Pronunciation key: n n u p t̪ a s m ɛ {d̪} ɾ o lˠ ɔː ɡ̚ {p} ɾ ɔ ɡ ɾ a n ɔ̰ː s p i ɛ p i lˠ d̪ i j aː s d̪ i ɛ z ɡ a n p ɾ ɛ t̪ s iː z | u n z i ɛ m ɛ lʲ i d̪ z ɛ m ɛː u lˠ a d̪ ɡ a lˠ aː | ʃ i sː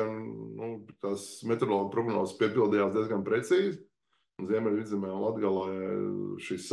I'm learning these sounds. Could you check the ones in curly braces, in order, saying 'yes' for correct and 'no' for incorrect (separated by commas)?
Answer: no, yes